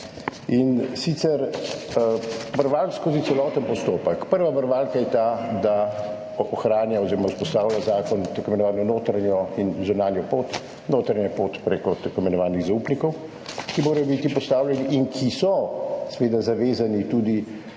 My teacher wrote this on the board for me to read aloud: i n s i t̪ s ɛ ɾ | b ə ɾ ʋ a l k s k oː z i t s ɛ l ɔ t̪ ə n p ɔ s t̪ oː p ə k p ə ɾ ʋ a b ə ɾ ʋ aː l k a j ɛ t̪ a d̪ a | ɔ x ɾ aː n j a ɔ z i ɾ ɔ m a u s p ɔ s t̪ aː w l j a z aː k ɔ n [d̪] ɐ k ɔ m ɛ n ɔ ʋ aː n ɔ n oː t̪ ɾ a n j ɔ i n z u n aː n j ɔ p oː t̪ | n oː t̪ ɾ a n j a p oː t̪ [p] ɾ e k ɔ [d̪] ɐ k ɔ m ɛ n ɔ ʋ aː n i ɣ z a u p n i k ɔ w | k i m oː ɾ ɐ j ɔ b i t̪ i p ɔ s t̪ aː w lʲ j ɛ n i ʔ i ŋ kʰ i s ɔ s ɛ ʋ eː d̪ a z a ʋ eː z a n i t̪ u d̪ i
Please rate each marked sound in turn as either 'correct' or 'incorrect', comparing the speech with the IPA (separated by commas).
incorrect, correct, incorrect